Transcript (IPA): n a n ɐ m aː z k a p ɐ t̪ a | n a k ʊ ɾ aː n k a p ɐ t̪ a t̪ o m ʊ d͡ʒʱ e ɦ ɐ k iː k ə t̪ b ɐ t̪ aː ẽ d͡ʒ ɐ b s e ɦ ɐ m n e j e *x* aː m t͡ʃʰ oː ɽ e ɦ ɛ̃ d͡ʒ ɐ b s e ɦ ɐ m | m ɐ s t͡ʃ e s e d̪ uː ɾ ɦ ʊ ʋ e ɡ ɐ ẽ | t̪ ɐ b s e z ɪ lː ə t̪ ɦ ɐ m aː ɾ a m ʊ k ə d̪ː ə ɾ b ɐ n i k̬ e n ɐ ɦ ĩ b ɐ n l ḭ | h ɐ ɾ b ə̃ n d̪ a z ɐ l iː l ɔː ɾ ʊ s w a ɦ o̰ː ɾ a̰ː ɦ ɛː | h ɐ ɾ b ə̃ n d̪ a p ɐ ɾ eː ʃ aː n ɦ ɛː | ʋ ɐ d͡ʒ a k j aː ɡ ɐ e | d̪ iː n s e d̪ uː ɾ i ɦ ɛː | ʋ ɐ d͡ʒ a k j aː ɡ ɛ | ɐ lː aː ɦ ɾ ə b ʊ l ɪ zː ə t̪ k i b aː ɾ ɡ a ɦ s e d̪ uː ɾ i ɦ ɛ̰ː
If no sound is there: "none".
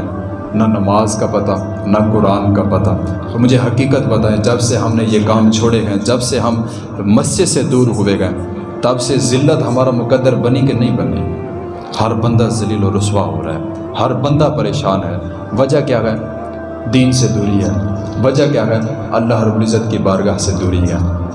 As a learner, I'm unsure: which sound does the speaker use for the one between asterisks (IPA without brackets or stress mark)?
k